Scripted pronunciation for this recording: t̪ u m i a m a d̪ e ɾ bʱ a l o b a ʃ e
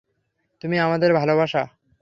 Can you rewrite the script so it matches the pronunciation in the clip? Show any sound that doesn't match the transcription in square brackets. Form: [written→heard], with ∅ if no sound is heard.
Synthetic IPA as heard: t̪ u m i a m a d̪ e ɾ bʱ a l o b a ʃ [e→a]